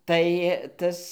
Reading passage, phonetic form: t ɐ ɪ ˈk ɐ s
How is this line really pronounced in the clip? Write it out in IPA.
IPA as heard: t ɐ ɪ ˈt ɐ s